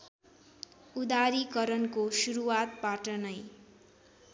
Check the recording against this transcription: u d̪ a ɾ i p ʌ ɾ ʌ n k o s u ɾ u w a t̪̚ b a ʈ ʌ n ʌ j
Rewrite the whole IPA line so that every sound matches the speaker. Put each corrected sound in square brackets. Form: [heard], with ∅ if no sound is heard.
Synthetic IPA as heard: u d̪ a ɾ i [k] ʌ ɾ ʌ n k o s u ɾ u w a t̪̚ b a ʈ ʌ n ʌ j